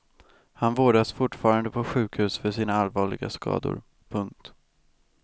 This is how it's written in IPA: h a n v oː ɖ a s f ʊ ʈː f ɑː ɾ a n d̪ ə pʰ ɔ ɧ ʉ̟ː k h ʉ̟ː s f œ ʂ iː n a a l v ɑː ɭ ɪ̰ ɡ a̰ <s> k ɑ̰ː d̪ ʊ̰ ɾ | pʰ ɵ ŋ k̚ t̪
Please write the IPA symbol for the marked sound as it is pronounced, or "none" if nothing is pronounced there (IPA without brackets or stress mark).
s